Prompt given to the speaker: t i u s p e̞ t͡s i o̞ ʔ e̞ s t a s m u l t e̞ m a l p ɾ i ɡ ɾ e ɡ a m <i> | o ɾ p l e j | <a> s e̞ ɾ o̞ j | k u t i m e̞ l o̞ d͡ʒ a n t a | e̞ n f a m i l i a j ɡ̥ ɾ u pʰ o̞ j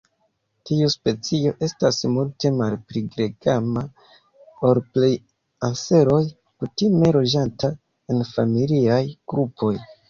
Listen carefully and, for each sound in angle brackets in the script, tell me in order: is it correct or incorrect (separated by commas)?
incorrect, correct